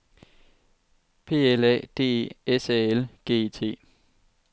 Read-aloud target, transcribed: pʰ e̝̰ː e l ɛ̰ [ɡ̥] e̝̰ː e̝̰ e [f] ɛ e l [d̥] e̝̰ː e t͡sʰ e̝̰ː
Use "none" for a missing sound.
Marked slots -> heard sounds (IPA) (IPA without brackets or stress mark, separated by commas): d̥, s, ɡ̥